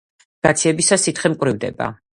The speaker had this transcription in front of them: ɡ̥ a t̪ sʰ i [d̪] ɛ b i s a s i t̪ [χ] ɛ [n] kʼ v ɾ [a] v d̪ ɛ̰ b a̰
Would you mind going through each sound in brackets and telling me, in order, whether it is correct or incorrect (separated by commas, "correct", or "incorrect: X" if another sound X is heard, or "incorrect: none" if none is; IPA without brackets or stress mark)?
incorrect: none, correct, incorrect: m, incorrect: i